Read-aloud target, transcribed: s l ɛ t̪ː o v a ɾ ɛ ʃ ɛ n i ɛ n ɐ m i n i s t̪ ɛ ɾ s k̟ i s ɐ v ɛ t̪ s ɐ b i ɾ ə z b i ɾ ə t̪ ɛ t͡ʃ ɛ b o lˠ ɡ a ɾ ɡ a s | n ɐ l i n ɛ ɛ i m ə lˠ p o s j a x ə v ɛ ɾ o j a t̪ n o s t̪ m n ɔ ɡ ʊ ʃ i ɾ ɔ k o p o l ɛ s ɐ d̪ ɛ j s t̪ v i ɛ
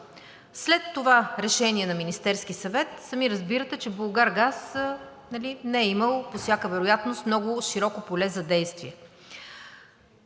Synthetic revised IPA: s l ɛ t̪ː o v a ɾ ɛ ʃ ɛ n i ɛ n ɐ m i n i s t̪ ɛ ɾ s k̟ i s ɐ v ɛ t̪ s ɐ m i ɾ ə z b i ɾ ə t̪ ɛ t͡ʃ ɛ b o lˠ ɡ a ɾ ɡ a s | n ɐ l i n ɛ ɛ i m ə lˠ p o s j a k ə v ɛ ɾ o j a t̪ n o s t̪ m n ɔ ɡ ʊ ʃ i ɾ ɔ k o p o l ɛ z ɐ d̪ ɛ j s t̪ v i ɛ